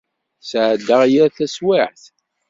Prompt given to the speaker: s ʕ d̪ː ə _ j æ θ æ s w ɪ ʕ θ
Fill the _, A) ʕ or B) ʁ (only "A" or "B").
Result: B